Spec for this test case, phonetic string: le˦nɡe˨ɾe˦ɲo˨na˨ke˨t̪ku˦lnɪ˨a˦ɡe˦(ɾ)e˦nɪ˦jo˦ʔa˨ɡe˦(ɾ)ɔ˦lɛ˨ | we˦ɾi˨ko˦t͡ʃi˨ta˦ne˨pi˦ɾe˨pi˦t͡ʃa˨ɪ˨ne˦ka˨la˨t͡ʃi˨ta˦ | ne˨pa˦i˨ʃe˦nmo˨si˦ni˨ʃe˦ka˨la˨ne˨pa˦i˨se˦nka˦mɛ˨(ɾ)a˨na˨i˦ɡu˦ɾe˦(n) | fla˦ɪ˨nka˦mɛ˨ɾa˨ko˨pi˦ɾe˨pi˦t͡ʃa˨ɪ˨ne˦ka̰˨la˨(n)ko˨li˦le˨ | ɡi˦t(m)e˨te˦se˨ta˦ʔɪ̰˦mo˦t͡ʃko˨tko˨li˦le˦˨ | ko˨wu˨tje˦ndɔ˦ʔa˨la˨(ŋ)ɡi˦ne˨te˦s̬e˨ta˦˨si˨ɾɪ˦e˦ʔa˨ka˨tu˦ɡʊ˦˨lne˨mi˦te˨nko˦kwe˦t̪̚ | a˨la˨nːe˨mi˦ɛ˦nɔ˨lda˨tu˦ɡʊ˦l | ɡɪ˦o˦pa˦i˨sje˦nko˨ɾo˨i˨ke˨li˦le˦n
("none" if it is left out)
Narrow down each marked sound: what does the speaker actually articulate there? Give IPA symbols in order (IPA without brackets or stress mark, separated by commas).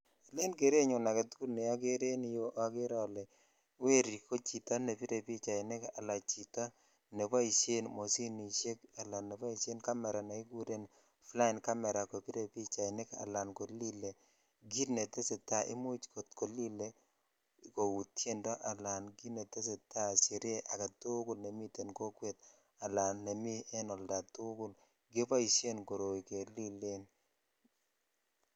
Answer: ɾ, ɾ, ɾ, n, n, n, n